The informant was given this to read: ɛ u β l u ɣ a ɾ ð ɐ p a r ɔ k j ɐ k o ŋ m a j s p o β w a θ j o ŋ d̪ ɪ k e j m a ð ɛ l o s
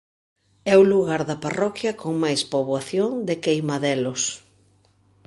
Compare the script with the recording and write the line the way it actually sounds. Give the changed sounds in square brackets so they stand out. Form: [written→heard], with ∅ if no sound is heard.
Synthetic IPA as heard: ɛ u [β→∅] l u ɣ a ɾ ð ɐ p a r ɔ k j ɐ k o ŋ m a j s p o β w a θ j o ŋ d̪ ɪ k e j m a ð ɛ l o s